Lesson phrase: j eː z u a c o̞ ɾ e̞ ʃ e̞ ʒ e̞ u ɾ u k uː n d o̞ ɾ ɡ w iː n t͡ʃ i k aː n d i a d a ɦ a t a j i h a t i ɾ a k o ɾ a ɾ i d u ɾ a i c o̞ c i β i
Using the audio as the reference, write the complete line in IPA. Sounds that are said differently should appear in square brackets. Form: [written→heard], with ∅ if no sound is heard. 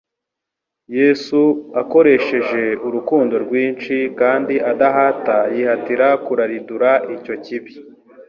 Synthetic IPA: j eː [z→s] u a [c→k] o̞ ɾ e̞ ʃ e̞ ʒ e̞ u ɾ u k uː n d o̞ ɾ ɡ w iː n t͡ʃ i k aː n d i a d a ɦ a t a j i h a t i ɾ a k [o→u] ɾ a ɾ i d u ɾ a i c o̞ c i β i